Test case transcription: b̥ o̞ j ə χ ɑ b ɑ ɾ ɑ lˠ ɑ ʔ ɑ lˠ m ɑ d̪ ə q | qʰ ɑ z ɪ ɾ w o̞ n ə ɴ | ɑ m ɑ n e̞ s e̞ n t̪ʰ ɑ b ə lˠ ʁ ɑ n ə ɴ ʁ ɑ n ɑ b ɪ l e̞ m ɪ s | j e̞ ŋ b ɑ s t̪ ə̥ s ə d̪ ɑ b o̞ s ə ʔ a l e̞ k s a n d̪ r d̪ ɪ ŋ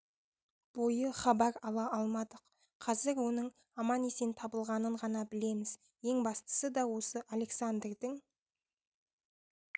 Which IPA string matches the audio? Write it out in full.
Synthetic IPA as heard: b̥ o̞ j ə χ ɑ b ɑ ɾ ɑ lˠ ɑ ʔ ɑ lˠ m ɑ d̪ ə q | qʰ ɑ z ɪ ɾ w o̞ n ə ɴ | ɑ m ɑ n e̞ s e̞ n t̪ʰ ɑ b ə lˠ ʁ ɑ n ə ɴ ʁ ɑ n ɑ b ɪ l e̞ m ɪ z | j e̞ ŋ b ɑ s t̪ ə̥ s ə d̪ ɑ w o̞ s ə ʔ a l e̞ k s a n d̪ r d̪ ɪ ŋ